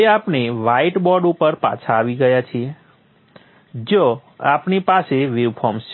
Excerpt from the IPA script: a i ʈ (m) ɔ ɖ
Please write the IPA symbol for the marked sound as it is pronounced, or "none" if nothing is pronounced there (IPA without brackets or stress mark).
b